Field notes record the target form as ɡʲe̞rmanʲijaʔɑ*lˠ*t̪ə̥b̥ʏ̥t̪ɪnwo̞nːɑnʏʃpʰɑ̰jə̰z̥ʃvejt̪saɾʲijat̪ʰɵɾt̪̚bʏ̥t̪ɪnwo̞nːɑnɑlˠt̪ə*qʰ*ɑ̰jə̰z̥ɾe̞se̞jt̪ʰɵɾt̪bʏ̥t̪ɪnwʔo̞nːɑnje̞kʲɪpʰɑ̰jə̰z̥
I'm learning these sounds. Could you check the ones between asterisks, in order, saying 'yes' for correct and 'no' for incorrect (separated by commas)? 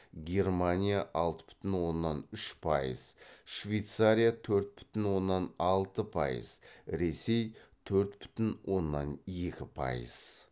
yes, no